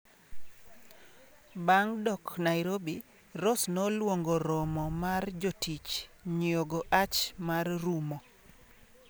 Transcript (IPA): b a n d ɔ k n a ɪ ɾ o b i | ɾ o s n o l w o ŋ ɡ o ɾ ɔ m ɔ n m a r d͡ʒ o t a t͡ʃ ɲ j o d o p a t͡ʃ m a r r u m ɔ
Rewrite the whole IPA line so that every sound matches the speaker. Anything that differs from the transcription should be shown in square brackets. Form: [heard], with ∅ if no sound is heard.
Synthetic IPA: b a [ŋ] d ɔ k n a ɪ ɾ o b i | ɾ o s n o l w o ŋ ɡ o ɾ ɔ m ɔ [∅] m a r d͡ʒ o t [i] t͡ʃ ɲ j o [ɡ] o [ʔ] a t͡ʃ m a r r u m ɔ